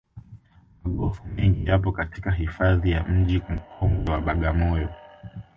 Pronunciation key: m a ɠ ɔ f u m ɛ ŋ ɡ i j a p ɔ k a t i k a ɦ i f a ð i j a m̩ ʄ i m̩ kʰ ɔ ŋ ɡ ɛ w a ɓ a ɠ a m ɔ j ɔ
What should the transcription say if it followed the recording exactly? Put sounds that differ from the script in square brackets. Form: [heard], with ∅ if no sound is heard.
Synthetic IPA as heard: m a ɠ ɔ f u m ɛ ŋ ɡ i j a p ɔ k a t i k a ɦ i f a ð i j a m̩ ʄ i m̩ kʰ ɔ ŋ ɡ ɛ w a ɓ a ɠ a m ɔ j ɔ

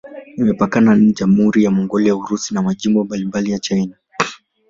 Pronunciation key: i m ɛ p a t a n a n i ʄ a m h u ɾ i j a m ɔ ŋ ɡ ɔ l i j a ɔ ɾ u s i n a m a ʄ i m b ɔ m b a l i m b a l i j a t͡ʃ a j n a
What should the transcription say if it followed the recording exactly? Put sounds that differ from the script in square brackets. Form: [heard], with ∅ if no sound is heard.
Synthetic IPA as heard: i m ɛ p a [k] a n a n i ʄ a m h u ɾ i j a m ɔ ŋ ɡ ɔ l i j a [u] ɾ u s i n a m a ʄ i m b ɔ m b a l i m b a l i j a t͡ʃ a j n a

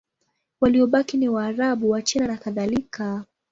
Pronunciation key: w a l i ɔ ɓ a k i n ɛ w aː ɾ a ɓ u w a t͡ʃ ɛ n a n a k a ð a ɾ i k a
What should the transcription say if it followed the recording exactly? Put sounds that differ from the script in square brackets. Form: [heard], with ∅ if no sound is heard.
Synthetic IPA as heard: w a l i ɔ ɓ a k i n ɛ w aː ɾ a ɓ u w a t͡ʃ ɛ n a n a k a ð a [l] i k a

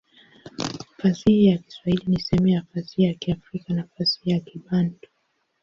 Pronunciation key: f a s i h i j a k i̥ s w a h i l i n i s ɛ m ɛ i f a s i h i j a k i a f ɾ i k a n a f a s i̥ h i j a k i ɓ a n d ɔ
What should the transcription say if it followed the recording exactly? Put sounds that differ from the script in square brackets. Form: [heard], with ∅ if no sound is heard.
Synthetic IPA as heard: f a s i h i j a k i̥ s w a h i l i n i s ɛ m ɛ [a] f a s i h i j a k i a f ɾ i k a n a f a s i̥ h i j a k i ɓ a n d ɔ

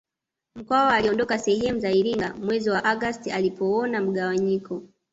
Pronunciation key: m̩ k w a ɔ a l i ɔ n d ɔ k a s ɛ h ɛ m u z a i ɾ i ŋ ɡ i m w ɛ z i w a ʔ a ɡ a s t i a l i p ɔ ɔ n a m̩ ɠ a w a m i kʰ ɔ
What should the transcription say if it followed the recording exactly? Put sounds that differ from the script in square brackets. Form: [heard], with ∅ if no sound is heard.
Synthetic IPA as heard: m̩ k w a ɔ a l i ɔ n d ɔ k a s ɛ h ɛ m u z a i ɾ i ŋ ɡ [a] m w ɛ z i w a ʔ a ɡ a s t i a l i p ɔ ɔ n a m̩ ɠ a w a [ɲ] i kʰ ɔ

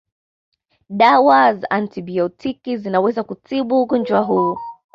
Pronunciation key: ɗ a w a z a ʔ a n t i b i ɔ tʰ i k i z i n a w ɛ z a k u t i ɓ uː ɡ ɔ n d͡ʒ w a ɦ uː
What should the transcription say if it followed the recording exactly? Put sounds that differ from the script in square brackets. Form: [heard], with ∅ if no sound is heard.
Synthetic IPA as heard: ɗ a w a z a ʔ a n t i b i ɔ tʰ i k i z i n a w ɛ z a k u t i ɓ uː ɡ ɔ n d͡ʒ w a ɦ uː

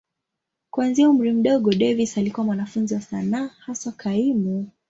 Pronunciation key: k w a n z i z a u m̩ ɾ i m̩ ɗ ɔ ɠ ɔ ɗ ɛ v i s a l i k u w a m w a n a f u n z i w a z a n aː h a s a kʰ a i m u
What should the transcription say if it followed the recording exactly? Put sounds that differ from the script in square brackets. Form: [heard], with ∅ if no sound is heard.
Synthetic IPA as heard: k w a n z i [∅] a u m̩ ɾ i m̩ ɗ ɔ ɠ ɔ ɗ ɛ v i s a l i k u w a m w a n a f u n z i w a [s] a n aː h a s a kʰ a i m u

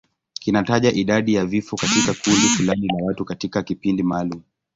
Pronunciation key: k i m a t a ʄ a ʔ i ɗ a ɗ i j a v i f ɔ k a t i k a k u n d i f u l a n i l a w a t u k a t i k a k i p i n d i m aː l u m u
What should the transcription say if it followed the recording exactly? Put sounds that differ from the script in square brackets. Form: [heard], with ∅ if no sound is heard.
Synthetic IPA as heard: k i [n] a t a ʄ a ʔ i ɗ a ɗ i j a v i f ɔ k a t i k a k u n d i f u l a n i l a w a t u k a t i k a k i p i n d i m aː l u m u

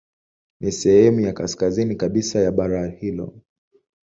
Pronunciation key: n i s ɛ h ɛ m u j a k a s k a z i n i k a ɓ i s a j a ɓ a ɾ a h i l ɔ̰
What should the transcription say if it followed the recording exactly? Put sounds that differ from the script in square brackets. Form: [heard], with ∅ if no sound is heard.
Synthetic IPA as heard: n i s ɛ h ɛ m u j a k a s k a z i n i k a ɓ i s a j a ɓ a ɾ a h i l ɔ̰

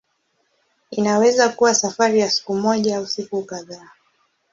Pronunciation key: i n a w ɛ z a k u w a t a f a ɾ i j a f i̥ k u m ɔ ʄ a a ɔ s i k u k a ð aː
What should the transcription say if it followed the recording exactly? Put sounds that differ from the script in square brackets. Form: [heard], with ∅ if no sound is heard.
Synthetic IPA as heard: i n a w ɛ z a k u w a [s] a f a ɾ i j a [s] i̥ k u m ɔ ʄ a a [u] s i k u k a ð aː

